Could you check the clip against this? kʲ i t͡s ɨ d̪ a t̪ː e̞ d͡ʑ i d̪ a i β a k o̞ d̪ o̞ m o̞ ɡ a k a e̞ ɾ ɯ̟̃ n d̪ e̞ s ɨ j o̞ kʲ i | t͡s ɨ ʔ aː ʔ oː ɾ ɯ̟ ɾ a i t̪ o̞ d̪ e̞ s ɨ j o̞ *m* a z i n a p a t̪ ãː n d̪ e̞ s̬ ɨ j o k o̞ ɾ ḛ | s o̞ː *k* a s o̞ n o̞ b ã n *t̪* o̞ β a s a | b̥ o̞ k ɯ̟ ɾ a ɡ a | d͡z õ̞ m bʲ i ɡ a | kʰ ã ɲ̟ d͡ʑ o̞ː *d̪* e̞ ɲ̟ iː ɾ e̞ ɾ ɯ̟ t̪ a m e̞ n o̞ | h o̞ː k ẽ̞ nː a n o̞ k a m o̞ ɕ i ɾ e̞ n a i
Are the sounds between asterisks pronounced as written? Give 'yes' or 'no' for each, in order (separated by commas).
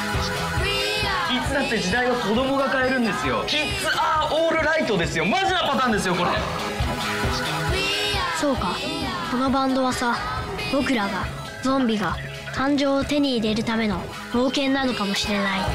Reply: yes, yes, no, no